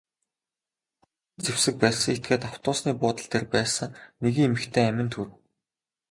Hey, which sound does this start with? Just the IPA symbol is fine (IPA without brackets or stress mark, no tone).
t͡s